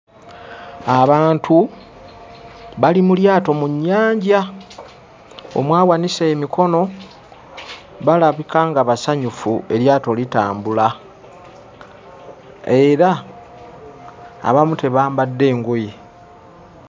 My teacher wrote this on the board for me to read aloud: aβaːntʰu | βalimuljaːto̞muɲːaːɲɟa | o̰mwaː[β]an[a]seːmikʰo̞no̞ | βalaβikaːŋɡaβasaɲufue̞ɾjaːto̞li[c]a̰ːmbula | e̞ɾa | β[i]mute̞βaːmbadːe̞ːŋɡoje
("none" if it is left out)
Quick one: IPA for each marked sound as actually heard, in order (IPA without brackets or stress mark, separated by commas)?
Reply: w, i, t, a